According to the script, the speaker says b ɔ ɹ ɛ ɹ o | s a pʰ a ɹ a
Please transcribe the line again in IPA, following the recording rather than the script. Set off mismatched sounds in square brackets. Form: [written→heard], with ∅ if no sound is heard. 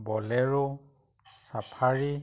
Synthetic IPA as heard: b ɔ [ɹ→l] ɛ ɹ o | s a pʰ a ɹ [a→i]